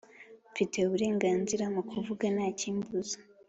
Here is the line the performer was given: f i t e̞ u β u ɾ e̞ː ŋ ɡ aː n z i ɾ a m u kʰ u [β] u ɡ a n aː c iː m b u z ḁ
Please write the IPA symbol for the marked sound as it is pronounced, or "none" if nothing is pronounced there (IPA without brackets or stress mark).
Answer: v